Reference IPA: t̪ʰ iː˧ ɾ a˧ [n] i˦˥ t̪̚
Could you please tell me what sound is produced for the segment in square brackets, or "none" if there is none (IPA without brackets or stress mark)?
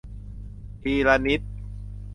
n